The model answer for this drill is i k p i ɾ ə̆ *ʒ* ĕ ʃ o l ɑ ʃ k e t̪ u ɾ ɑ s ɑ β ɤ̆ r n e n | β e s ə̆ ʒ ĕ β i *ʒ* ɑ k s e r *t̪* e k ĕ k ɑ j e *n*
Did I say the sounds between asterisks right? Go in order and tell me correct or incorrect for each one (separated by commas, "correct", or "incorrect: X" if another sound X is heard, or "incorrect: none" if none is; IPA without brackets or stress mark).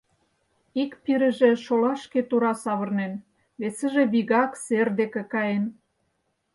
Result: correct, incorrect: ɣ, incorrect: d̪, correct